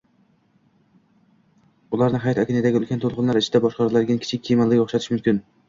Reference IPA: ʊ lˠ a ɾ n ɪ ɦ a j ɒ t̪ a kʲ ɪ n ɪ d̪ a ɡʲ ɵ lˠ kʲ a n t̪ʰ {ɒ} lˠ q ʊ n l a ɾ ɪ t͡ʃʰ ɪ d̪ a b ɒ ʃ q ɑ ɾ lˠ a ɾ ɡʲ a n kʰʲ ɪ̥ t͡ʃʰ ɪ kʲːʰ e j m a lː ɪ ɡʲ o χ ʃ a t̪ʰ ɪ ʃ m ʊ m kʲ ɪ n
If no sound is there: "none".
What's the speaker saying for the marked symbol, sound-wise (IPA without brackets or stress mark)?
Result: o